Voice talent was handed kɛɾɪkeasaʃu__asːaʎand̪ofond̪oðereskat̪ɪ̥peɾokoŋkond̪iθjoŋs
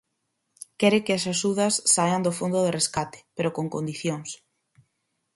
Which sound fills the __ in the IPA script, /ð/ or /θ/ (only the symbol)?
ð